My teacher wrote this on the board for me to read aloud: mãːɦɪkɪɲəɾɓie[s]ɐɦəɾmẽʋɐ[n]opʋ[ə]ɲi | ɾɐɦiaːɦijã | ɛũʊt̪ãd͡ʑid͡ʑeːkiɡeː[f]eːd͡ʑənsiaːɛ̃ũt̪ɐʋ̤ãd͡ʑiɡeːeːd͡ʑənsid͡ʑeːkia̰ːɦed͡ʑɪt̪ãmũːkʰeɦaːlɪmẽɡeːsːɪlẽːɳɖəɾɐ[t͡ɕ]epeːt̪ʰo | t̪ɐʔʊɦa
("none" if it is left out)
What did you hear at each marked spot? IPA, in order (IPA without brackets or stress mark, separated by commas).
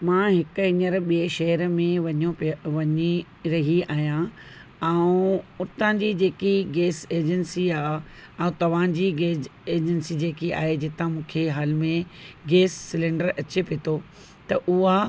ʃ, ɲ, ɐ, s, t͡ɕ